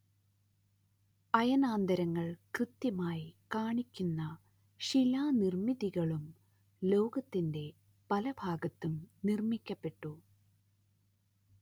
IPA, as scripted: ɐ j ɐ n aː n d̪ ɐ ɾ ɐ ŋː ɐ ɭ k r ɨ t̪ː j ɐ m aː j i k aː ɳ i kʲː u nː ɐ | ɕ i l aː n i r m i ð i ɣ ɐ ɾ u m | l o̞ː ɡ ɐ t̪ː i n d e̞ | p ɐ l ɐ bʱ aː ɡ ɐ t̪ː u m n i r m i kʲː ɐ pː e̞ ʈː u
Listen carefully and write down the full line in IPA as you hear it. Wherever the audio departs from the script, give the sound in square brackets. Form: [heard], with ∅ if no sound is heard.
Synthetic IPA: ɐ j ɐ n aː n d̪ ɐ ɾ ɐ ŋː ɐ ɭ k r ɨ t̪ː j ɐ m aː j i k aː ɳ i kʲː u nː ɐ | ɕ i l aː n i r m i ð i ɣ ɐ [ɭ] u m | l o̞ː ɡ ɐ t̪ː i n d e̞ | p ɐ l ɐ bʱ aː ɡ ɐ t̪ː u m n i r m i kʲː ɐ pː e̞ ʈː u